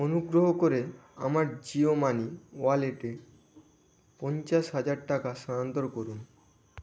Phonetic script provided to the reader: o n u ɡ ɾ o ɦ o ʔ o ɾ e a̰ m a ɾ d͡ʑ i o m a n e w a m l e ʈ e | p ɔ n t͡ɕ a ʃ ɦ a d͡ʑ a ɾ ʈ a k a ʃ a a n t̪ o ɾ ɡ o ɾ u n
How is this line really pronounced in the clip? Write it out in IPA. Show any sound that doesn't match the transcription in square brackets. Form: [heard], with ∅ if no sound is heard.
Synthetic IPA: o n u ɡ ɾ o ɦ o [k] o ɾ e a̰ m a ɾ d͡ʑ i o m a n [i] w a [∅] l e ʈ e | p ɔ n t͡ɕ a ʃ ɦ a d͡ʑ a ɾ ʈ a k a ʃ a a n t̪ o ɾ [k] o ɾ u n